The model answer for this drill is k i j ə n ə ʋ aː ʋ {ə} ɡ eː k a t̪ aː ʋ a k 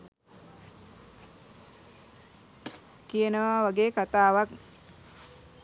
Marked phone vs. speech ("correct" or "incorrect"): incorrect